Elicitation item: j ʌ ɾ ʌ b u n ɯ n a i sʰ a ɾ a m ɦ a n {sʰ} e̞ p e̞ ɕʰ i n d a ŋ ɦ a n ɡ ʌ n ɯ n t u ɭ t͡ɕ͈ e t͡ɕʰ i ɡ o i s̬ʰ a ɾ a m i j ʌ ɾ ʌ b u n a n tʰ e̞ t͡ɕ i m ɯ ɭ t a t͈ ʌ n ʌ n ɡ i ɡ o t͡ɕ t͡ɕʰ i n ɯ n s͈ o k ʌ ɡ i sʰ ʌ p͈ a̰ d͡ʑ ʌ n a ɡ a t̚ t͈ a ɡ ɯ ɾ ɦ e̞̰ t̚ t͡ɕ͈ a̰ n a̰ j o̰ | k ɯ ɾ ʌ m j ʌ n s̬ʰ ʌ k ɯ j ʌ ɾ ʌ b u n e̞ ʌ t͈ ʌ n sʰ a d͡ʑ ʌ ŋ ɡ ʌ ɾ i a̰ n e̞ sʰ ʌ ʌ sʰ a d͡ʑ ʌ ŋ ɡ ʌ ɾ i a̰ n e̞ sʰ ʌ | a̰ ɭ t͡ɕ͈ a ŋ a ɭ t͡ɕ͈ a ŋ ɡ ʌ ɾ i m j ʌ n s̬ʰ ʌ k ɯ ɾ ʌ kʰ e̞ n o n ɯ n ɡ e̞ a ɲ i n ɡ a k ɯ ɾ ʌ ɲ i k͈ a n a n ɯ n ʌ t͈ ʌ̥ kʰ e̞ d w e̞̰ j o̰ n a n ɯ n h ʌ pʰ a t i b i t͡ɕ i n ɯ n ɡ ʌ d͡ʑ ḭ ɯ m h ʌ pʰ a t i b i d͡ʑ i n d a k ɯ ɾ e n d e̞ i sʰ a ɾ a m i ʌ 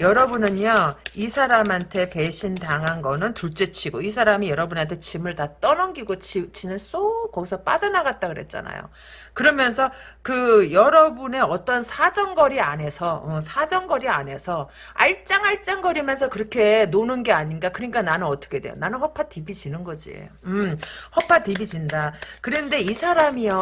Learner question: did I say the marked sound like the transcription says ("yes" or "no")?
no